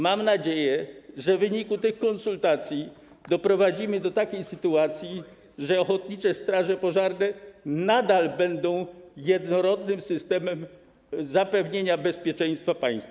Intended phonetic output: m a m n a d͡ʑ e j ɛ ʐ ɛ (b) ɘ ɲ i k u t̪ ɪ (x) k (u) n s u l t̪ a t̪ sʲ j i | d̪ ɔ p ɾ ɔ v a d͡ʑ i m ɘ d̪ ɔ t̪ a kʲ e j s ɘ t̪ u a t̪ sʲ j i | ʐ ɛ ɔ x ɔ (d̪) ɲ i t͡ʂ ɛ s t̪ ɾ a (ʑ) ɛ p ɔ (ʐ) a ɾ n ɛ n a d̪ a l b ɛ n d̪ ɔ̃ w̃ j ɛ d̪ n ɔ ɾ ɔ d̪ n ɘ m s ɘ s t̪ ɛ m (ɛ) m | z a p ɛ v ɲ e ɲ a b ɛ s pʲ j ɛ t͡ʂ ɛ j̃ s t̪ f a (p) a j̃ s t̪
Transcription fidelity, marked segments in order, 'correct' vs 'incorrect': incorrect, correct, incorrect, incorrect, incorrect, correct, correct, correct

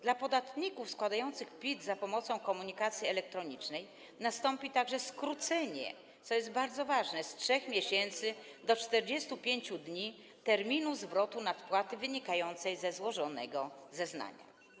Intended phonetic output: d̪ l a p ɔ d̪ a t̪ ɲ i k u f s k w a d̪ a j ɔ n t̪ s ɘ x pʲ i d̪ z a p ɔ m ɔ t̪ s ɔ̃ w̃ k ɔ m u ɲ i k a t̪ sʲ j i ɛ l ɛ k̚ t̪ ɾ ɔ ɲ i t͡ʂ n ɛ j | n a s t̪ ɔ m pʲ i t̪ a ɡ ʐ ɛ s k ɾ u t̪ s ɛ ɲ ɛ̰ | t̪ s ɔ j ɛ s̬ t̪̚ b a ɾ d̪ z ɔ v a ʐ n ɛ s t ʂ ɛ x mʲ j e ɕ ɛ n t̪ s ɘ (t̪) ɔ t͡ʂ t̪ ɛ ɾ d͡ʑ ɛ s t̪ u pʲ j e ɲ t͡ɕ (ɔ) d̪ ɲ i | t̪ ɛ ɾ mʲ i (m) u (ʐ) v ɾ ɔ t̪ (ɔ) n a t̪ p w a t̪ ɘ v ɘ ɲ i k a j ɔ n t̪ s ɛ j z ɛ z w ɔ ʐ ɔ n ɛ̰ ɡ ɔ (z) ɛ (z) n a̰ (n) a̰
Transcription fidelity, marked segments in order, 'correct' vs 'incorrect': incorrect, incorrect, incorrect, incorrect, incorrect, correct, correct, incorrect

